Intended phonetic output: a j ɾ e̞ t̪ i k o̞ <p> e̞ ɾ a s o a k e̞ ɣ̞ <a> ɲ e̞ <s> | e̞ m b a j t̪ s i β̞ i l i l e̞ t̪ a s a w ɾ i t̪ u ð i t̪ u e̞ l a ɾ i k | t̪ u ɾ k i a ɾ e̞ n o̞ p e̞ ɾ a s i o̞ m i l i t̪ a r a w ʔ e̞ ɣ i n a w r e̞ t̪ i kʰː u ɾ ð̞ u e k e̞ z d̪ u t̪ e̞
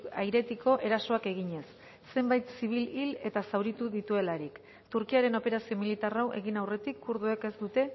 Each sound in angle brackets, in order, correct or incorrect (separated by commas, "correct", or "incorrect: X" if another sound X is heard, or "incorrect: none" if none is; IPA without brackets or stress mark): incorrect: ʔ, incorrect: i, incorrect: sː